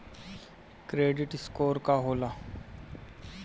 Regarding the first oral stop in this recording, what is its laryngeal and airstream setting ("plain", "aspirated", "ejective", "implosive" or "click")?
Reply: plain